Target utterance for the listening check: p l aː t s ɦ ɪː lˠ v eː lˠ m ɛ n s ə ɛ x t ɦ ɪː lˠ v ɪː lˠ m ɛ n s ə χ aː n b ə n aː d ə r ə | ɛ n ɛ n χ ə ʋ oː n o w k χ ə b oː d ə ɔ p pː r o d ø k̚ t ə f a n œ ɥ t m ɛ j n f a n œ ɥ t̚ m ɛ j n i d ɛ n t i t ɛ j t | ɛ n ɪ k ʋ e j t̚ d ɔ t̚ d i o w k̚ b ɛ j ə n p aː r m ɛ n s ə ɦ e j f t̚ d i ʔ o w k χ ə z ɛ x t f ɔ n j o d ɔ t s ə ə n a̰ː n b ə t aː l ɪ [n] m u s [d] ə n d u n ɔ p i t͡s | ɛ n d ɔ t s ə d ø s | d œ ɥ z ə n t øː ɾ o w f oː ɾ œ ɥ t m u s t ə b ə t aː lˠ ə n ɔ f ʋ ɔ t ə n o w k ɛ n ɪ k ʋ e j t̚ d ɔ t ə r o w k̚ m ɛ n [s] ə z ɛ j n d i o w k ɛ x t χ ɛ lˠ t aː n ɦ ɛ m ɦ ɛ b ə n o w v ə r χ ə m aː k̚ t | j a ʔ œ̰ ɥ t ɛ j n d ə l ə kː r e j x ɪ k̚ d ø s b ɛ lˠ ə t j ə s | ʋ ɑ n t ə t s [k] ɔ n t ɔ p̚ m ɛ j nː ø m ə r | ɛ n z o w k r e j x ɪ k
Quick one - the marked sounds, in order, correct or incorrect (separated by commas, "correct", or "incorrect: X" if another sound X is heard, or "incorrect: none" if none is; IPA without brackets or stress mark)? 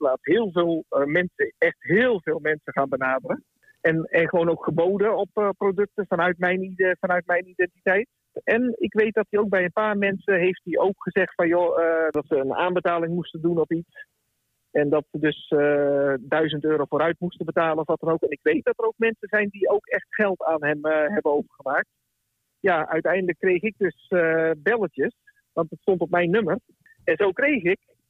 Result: incorrect: ŋ, incorrect: t, correct, incorrect: t